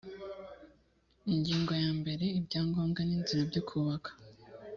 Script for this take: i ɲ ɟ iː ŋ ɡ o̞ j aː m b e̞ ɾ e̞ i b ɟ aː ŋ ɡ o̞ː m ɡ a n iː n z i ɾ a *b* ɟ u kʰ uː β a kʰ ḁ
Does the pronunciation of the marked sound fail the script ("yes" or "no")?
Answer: no